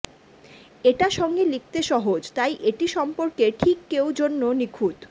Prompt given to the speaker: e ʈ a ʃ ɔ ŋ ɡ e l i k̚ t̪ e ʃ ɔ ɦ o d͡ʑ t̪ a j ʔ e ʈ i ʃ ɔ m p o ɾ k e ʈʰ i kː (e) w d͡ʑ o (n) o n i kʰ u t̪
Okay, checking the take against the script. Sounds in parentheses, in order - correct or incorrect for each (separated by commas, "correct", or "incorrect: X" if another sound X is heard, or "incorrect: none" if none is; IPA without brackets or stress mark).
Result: correct, incorrect: nː